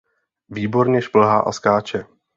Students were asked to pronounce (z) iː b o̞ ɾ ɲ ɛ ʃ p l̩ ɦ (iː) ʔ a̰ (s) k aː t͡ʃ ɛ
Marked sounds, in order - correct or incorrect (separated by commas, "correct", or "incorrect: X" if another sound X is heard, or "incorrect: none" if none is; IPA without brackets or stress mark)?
incorrect: v, incorrect: aː, correct